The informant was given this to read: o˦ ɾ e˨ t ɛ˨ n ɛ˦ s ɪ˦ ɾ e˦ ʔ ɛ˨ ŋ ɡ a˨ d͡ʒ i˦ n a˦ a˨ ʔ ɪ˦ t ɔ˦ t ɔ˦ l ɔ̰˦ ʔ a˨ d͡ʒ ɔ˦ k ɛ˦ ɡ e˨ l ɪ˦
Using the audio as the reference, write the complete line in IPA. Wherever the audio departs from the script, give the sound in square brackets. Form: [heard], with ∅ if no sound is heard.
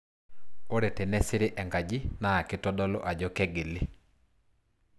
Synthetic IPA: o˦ ɾ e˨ t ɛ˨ n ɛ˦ s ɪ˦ ɾ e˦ ʔ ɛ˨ ŋ ɡ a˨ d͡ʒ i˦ n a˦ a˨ [k] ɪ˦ t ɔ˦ [d] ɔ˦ l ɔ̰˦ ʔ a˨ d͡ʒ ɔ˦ k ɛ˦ ɡ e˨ l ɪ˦